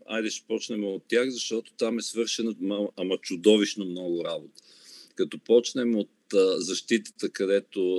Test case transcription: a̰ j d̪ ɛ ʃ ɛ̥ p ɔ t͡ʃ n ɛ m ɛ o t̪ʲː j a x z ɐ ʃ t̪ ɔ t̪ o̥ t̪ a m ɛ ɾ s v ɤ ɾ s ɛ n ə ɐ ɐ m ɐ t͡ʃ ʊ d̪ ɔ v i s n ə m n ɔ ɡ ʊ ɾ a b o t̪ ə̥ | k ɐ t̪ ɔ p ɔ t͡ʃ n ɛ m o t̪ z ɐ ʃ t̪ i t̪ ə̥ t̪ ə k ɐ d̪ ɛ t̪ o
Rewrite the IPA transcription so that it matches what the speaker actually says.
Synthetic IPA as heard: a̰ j d̪ ɛ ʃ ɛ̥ p ɔ t͡ʃ n ɛ m ɛ o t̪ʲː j a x z ɐ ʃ t̪ ɔ t̪ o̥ t̪ a m ɛ s v ɤ ɾ ʃ ɛ n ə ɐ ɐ m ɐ t͡ʃ ʊ d̪ ɔ v i ʃ n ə m n ɔ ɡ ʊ ɾ a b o t̪ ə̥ | k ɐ t̪ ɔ p ɔ t͡ʃ n ɛ m o t̪ z ɐ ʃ t̪ i t̪ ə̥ t̪ ə k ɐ d̪ ɛ t̪ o